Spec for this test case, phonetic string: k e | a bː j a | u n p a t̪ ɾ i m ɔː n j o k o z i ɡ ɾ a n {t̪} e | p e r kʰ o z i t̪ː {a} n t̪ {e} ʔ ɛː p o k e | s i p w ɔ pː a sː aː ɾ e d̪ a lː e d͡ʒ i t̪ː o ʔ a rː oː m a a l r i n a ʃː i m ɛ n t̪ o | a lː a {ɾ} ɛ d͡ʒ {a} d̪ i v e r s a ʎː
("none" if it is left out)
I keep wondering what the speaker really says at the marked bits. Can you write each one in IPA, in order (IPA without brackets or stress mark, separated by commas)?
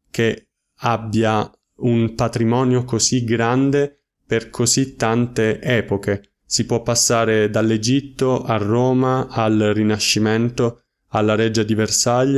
d̪, a, e, ɾ, a